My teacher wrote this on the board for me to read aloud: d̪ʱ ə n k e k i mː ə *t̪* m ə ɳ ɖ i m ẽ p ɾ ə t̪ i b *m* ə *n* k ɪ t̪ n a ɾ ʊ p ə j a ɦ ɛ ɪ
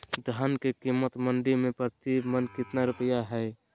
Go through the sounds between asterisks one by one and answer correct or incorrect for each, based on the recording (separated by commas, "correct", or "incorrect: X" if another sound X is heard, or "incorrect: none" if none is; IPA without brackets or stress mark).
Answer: correct, correct, correct